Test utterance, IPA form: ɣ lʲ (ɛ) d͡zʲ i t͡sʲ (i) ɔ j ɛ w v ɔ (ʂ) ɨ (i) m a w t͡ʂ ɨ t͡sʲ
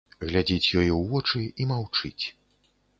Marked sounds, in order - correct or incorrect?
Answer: incorrect: a, incorrect: j, incorrect: t͡ʂ, correct

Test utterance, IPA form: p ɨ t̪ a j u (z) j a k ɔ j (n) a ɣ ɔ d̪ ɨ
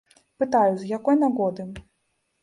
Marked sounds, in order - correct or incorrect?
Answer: correct, correct

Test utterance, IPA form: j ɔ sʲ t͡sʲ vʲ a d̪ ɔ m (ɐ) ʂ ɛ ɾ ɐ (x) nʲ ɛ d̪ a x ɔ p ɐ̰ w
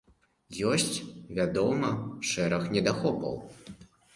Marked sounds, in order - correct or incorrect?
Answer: correct, correct

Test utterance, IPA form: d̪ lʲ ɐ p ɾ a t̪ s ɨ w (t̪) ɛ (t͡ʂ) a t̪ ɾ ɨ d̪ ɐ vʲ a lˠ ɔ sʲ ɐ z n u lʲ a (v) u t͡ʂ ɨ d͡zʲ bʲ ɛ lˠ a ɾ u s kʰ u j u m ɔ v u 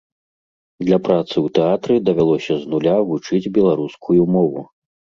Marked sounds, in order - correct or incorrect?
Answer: correct, incorrect: none, correct

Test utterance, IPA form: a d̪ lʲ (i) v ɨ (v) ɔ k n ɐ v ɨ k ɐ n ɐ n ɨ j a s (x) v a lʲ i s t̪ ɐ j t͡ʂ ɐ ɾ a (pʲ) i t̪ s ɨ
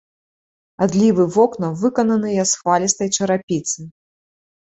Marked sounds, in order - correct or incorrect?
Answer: correct, correct, correct, correct

